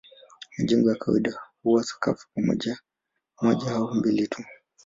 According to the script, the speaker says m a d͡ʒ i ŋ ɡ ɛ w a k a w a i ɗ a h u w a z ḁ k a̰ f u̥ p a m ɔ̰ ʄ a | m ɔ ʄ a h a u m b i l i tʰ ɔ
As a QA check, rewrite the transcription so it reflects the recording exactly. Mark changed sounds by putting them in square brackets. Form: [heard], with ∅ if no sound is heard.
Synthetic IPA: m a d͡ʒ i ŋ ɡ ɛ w a k a w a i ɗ a h u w a [s] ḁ k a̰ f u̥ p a m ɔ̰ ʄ a | m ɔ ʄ a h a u m b i l i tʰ [u]